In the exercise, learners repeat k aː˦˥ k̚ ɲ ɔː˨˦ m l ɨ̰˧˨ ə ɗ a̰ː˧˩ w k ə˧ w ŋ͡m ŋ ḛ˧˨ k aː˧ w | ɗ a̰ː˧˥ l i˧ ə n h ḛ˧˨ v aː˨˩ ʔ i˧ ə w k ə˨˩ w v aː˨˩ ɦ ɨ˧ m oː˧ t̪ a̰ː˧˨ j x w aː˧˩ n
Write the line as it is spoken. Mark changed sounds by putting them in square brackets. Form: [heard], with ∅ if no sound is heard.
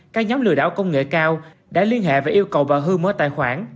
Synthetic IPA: k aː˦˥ k̚ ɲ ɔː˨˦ m l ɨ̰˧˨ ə ɗ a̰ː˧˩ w k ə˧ w ŋ͡m ŋ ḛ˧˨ k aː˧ w | ɗ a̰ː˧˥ l i˧ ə n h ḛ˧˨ v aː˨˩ ʔ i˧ ə w k ə˨˩ w v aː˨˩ ɦ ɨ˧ m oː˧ t̪ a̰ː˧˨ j x w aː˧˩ n